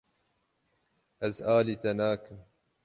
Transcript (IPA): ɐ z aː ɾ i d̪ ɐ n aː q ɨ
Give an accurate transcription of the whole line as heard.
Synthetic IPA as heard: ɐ z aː l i t̪ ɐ n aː k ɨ